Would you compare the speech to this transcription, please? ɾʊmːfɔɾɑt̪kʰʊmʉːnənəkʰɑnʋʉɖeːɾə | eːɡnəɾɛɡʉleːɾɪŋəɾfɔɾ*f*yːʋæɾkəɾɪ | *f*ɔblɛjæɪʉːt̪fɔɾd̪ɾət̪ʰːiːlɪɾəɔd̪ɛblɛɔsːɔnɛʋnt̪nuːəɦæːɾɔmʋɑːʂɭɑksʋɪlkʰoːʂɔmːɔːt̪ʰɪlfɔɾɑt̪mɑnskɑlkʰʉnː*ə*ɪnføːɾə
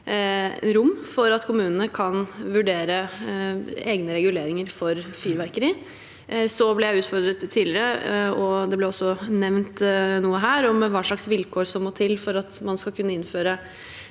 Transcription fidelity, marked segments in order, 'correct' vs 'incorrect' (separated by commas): correct, incorrect, correct